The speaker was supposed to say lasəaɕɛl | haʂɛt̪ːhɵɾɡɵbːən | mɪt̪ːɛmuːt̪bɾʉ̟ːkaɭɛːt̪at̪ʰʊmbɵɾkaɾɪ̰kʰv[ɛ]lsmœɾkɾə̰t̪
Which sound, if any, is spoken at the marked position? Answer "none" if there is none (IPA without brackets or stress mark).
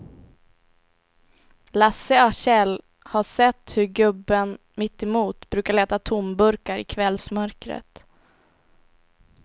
ɛ